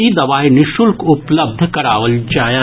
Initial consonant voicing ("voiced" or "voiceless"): voiced